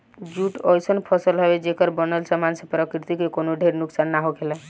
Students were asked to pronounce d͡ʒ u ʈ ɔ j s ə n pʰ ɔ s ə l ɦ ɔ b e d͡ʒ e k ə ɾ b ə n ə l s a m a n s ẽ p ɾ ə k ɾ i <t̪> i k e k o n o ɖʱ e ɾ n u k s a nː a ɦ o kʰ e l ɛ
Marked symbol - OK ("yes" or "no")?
yes